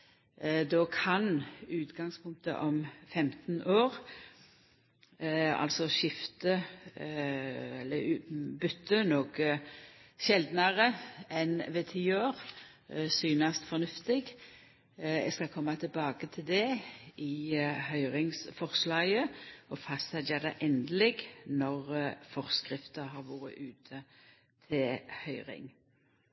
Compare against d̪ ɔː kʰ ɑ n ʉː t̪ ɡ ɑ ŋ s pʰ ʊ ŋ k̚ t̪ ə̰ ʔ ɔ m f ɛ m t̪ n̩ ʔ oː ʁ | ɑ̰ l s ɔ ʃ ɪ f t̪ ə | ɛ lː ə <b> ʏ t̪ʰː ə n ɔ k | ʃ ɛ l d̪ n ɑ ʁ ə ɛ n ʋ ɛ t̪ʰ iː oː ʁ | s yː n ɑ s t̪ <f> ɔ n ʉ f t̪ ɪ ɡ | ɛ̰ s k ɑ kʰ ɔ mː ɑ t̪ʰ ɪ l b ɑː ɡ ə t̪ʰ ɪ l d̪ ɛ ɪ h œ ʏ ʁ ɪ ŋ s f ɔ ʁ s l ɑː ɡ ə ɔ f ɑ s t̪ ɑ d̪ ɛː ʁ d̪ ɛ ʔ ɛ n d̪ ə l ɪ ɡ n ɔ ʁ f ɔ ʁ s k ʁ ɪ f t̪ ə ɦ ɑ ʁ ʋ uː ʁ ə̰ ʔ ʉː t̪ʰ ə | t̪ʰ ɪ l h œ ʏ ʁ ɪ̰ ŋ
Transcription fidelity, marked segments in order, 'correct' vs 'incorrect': correct, correct

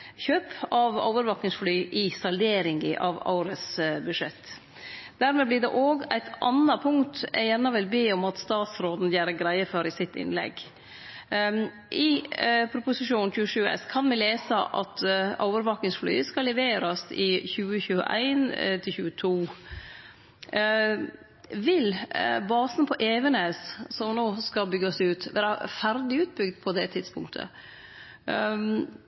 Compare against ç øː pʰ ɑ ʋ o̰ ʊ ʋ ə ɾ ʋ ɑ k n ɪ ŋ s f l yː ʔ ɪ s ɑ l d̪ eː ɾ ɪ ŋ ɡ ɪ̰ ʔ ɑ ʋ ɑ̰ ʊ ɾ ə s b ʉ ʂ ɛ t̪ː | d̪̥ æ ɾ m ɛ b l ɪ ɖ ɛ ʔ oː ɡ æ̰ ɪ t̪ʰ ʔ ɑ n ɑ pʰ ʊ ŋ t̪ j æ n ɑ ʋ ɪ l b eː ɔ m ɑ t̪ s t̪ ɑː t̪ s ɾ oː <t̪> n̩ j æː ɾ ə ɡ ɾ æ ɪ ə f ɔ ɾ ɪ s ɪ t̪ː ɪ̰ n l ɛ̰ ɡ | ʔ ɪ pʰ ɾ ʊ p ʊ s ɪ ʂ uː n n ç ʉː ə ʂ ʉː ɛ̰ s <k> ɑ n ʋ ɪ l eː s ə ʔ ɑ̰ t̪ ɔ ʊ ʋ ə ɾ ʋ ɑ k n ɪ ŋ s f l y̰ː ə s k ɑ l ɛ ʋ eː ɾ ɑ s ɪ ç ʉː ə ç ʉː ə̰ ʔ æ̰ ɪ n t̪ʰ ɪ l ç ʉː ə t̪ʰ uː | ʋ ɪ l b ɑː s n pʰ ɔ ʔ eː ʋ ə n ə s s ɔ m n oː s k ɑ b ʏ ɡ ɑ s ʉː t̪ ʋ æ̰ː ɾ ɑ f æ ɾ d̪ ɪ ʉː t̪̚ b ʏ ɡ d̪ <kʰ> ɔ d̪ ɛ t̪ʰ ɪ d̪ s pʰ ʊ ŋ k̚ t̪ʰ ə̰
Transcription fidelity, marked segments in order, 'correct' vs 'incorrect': incorrect: d̪, incorrect: kʰ, incorrect: pʰ

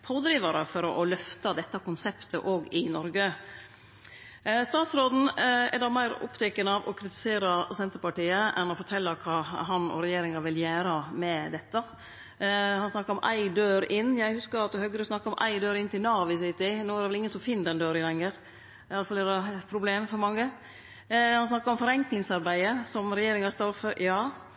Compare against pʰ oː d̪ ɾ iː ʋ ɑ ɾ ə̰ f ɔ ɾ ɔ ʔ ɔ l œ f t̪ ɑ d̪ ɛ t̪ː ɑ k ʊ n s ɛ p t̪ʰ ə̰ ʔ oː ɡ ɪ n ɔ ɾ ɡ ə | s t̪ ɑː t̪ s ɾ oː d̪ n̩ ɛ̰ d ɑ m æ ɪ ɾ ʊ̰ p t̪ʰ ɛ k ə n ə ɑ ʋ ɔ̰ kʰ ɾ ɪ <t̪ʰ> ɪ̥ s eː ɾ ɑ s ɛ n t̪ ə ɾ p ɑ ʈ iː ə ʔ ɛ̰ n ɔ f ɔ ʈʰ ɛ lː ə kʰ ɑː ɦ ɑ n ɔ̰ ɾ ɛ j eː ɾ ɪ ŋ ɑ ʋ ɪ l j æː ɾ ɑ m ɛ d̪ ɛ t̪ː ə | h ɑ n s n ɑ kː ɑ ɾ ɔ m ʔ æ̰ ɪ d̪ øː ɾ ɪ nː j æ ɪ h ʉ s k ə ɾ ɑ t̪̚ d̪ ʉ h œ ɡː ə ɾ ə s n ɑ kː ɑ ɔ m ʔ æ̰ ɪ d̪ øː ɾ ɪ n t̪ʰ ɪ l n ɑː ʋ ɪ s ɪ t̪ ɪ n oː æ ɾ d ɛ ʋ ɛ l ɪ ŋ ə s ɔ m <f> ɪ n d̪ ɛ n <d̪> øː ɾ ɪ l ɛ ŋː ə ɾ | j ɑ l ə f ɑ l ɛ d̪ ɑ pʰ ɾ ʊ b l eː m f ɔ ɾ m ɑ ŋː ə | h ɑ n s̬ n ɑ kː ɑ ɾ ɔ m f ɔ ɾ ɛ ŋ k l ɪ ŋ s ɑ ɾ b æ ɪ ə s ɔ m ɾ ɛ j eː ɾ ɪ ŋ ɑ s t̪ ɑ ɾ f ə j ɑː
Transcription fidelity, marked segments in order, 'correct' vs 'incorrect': incorrect: t̪, correct, correct

